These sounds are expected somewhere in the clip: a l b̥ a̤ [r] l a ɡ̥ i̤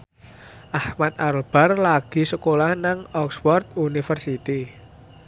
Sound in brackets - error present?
no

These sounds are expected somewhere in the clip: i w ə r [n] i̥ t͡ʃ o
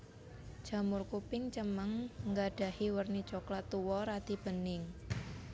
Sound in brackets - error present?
no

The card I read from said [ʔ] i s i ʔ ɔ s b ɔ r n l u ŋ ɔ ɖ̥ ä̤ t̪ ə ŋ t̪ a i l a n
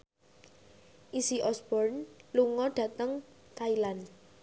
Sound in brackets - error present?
no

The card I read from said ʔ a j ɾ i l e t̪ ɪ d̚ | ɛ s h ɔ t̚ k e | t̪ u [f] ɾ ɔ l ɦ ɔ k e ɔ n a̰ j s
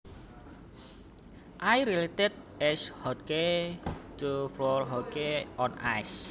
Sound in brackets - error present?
no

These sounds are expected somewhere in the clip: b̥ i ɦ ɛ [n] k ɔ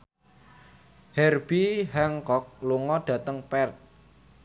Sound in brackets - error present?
yes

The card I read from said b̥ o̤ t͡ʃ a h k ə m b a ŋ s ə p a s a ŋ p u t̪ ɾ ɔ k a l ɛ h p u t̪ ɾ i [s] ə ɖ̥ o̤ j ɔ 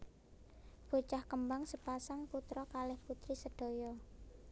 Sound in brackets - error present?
no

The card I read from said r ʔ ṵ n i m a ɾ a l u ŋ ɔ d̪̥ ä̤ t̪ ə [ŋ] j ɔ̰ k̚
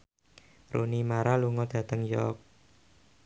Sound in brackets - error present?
no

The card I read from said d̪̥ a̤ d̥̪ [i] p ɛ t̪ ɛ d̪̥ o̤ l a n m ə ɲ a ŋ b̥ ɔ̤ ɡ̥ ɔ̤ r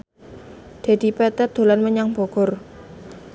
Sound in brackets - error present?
no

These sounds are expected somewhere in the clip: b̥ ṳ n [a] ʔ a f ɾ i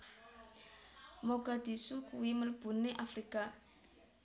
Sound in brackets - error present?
yes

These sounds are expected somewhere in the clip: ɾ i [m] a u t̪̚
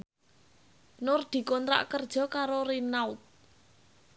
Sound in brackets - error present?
yes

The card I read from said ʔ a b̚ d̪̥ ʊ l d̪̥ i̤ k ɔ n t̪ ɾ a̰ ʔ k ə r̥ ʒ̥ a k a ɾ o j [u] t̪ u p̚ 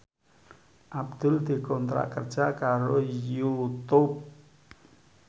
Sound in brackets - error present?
no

